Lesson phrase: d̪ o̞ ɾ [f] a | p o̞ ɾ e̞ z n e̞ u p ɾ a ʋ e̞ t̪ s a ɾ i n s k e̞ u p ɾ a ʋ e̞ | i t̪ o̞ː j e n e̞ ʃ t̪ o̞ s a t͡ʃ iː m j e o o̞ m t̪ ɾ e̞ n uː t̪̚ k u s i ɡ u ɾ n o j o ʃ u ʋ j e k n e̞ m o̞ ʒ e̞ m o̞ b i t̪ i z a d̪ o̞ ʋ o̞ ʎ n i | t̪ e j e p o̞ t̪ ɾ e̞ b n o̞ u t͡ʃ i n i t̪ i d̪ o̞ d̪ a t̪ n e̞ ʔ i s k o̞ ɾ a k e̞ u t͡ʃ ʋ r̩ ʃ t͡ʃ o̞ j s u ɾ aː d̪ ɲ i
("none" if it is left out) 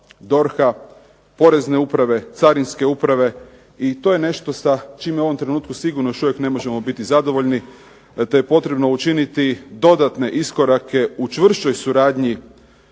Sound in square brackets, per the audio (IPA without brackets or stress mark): x